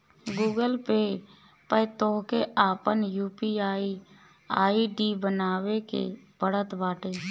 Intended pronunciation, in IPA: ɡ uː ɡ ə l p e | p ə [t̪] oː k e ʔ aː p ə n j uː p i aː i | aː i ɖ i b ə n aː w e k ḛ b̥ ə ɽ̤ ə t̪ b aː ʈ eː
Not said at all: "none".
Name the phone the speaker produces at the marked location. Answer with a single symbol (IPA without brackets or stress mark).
t̪